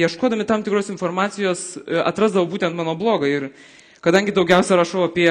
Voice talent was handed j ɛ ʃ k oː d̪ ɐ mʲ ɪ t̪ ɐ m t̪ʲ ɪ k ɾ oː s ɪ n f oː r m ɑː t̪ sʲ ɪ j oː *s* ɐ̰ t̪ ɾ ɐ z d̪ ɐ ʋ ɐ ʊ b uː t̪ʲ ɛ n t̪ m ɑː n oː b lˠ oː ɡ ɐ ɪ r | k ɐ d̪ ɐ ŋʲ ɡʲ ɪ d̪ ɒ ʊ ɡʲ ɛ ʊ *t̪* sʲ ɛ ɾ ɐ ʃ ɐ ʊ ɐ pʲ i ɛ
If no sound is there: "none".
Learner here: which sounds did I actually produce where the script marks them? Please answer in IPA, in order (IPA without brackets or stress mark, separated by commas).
s, none